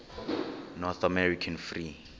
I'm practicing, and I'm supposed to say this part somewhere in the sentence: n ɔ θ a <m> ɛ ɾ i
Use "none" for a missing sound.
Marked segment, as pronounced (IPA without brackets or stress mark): m